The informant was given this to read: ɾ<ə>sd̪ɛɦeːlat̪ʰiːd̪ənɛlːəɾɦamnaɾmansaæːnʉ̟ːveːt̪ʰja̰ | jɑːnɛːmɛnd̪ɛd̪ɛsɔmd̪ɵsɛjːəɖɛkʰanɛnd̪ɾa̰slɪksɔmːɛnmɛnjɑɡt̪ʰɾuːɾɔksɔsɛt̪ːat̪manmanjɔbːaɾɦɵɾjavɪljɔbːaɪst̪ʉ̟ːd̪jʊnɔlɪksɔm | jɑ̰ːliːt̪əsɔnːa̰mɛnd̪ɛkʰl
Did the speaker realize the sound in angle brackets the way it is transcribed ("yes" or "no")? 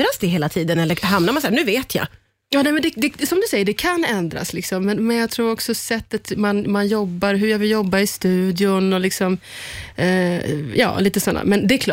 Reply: no